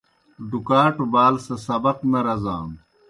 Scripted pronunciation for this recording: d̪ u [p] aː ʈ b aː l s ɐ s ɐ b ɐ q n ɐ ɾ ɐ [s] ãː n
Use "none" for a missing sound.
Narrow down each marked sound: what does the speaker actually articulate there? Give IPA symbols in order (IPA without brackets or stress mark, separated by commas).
k, z